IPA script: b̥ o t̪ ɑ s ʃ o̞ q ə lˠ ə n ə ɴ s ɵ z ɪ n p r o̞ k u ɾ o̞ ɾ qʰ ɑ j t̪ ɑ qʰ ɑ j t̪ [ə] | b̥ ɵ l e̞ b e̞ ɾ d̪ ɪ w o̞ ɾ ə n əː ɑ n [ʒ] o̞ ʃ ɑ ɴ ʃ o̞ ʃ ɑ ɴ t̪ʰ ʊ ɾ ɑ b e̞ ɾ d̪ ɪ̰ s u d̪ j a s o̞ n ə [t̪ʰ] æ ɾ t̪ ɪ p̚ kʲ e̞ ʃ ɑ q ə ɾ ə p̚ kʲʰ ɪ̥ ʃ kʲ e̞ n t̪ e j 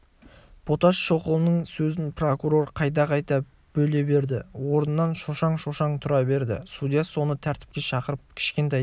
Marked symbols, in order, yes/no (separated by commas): no, no, yes